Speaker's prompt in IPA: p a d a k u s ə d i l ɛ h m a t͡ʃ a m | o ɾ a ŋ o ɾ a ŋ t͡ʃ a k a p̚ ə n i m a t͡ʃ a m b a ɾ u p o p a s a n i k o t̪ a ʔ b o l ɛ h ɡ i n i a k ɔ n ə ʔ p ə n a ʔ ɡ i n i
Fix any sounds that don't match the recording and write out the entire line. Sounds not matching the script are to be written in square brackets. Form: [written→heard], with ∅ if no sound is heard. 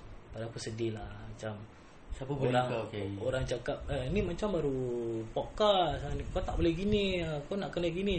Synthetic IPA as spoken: p a d a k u s ə d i l [ɛ→a] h m a t͡ʃ a m | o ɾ a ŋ o ɾ a ŋ t͡ʃ a k a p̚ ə n i m a t͡ʃ a m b a ɾ u p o [p→k] a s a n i k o t̪ a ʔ b o l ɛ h ɡ i n i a k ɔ n [ə→a] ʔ [p→k] ə n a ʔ ɡ i n i